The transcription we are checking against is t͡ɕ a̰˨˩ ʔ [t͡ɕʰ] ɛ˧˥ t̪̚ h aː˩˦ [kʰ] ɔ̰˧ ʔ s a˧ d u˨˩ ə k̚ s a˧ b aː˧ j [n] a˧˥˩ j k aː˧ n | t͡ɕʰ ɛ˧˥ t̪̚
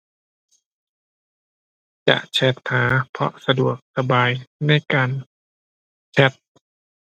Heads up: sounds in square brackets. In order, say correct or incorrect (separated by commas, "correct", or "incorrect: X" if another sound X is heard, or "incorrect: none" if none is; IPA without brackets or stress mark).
correct, incorrect: pʰ, correct